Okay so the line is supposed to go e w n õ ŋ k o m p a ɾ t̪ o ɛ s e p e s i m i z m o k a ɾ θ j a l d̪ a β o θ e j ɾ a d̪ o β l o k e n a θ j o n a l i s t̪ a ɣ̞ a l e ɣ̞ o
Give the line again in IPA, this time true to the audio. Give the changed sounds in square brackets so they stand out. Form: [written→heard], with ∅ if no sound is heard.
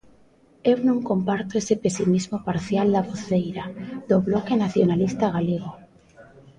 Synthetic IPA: e w n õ ŋ k o m p a ɾ t̪ o [ɛ→e] s e p e s i m i z m o [k→p] a ɾ θ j a l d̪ a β o θ e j ɾ a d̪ o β l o k e n a θ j o n a l i s t̪ a ɣ̞ a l e ɣ̞ o